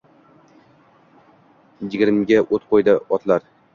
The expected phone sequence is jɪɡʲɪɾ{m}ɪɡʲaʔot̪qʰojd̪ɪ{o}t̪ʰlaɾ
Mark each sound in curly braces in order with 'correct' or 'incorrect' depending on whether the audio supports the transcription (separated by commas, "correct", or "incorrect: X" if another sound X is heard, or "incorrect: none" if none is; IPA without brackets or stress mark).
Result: correct, incorrect: ɒ